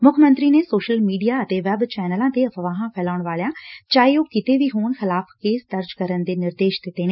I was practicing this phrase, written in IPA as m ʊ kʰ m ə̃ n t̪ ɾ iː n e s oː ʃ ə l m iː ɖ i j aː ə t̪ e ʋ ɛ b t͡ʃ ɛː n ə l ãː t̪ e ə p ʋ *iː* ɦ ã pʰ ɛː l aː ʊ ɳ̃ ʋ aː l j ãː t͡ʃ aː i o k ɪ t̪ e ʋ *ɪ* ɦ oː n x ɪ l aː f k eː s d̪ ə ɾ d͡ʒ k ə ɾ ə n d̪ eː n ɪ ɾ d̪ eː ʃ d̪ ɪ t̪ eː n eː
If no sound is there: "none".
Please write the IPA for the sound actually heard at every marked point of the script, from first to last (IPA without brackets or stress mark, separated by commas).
aː, i